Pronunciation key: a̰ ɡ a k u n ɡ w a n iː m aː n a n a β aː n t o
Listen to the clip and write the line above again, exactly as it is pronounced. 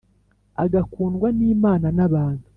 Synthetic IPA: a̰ ɡ a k uː n ɡ w a n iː m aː n a n a β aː n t u